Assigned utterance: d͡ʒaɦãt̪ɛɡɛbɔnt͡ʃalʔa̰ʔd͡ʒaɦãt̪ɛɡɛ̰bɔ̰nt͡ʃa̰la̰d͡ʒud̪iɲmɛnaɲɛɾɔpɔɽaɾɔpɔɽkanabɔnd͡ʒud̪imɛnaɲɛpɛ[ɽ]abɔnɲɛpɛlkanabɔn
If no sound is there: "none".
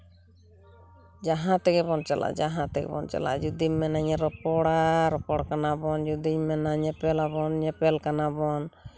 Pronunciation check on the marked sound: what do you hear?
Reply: l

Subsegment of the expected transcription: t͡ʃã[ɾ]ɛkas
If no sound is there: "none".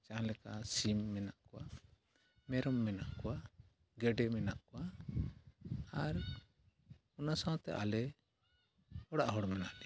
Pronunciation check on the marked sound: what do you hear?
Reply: l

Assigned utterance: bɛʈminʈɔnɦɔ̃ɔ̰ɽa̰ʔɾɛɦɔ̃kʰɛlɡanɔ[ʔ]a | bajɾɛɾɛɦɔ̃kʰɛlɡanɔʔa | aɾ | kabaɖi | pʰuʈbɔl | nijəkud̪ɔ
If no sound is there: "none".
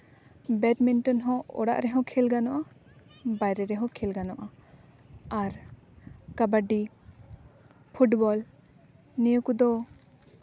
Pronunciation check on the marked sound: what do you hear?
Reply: ʔ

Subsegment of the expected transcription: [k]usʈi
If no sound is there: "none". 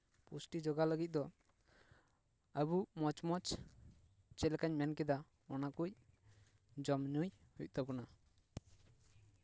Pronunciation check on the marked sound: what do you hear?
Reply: p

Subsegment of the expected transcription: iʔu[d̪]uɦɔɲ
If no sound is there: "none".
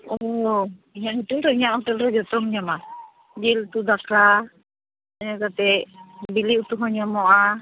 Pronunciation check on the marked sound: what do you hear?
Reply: t̪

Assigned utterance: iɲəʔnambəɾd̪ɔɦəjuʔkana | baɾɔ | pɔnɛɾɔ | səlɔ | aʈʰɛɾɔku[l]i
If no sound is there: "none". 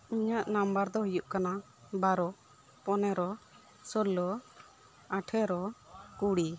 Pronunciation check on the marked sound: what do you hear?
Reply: ɽ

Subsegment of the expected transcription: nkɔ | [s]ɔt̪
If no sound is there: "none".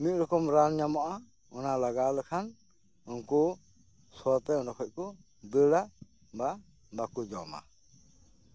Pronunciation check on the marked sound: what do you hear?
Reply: s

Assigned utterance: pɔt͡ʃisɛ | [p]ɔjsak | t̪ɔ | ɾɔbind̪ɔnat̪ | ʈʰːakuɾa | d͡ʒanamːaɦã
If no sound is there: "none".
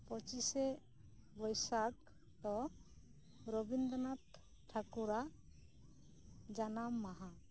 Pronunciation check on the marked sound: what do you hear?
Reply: b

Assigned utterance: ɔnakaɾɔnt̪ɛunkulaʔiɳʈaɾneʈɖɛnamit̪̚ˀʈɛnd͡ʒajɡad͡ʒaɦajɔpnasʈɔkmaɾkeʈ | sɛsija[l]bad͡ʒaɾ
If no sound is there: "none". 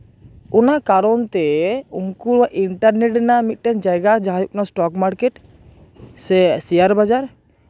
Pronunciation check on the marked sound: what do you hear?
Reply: ɾ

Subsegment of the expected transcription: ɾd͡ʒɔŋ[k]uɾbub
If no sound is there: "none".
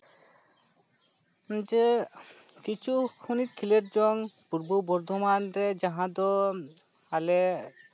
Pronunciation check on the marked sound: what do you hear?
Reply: p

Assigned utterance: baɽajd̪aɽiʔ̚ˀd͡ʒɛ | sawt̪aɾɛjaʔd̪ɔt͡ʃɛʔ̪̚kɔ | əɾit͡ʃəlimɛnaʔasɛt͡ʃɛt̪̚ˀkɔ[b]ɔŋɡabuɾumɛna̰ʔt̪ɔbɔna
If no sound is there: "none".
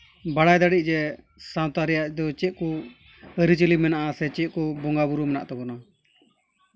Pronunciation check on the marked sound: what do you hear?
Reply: b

